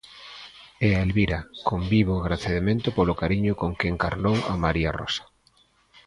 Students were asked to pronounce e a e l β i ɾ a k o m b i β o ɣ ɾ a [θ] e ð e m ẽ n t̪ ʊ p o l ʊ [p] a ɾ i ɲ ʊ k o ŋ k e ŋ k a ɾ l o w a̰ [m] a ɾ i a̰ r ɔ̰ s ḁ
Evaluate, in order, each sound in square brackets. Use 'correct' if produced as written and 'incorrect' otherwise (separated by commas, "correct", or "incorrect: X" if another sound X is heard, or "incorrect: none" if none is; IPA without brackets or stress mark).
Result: correct, incorrect: k, correct